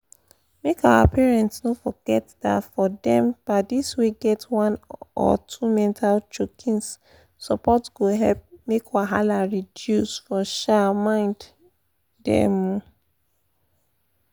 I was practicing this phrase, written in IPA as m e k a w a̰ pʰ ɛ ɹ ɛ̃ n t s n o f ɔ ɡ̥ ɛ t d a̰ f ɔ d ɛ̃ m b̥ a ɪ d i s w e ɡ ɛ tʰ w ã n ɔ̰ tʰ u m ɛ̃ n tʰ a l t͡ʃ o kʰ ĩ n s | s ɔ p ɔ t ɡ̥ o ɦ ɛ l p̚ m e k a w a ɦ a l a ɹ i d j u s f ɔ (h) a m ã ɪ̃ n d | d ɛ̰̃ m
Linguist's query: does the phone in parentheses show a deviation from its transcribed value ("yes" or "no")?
yes